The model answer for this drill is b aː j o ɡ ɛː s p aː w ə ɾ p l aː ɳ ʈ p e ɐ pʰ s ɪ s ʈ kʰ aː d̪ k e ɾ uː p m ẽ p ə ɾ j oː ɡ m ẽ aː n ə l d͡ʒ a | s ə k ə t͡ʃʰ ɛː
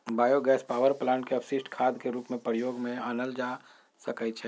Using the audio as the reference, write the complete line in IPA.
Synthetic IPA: b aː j o ɡ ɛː s p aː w ə ɾ p l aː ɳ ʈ k e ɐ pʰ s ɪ s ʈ kʰ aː d̪ k e ɾ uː p m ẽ p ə ɾ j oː ɡ m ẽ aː n ə l d͡ʒ a | s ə k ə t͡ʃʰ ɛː